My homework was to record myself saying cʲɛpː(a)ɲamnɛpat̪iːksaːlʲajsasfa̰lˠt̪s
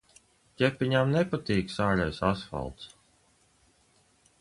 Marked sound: incorrect: i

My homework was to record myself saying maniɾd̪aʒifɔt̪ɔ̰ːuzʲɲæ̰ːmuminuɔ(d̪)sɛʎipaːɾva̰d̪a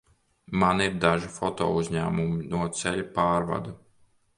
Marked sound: incorrect: t̪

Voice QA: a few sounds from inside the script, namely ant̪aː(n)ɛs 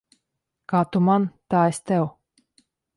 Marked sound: incorrect: none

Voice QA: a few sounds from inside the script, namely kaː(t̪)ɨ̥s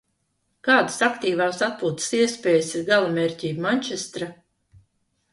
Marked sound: incorrect: d̪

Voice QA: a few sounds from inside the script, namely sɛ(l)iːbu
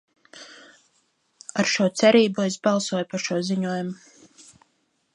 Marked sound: incorrect: ɾ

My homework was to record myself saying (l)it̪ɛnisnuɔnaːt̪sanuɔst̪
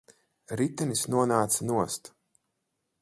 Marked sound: incorrect: ɾ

